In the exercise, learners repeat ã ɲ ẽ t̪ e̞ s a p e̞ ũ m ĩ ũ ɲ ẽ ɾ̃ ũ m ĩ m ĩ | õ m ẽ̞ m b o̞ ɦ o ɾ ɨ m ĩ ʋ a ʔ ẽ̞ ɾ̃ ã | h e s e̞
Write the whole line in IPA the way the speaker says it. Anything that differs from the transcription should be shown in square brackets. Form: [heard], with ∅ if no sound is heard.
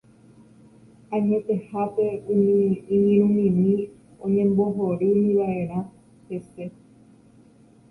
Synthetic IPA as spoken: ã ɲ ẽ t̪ e̞ [h] a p e̞ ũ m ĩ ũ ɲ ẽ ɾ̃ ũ m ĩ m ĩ | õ [ɲ] ẽ̞ m b o̞ ɦ o ɾ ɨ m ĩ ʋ a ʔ [e̞] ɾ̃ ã | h e s e̞